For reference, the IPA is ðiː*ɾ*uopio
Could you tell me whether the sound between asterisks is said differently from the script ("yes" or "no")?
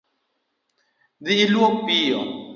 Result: yes